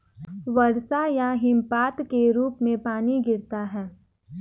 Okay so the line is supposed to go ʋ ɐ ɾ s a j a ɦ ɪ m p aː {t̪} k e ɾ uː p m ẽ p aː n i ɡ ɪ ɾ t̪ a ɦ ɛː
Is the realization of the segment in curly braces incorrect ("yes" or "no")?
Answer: no